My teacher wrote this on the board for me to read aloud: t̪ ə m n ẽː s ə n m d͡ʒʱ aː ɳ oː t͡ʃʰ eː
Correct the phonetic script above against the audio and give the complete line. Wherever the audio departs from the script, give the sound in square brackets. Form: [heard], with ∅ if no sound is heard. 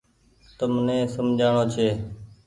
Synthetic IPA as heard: t̪ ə m n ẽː s ə [∅] m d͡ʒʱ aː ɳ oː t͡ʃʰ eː